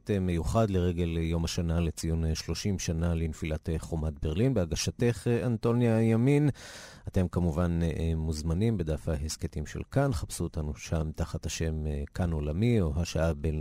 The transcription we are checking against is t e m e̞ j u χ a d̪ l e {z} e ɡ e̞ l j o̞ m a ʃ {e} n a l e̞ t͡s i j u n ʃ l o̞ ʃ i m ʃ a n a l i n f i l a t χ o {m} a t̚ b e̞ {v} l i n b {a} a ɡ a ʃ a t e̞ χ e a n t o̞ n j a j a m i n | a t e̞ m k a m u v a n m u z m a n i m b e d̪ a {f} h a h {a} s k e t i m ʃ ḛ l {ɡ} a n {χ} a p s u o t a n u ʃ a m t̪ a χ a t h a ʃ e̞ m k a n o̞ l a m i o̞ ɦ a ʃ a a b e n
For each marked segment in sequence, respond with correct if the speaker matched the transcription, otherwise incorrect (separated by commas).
incorrect, incorrect, correct, incorrect, incorrect, correct, incorrect, incorrect, correct